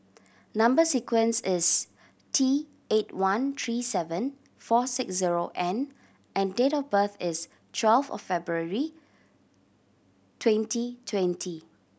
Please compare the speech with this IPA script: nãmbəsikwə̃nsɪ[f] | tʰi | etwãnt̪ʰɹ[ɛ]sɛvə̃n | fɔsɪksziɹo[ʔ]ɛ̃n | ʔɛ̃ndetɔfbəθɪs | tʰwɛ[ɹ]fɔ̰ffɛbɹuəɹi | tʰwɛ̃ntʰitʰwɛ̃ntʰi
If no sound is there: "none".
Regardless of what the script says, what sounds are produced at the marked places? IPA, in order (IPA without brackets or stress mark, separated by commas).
s, i, ʔ, l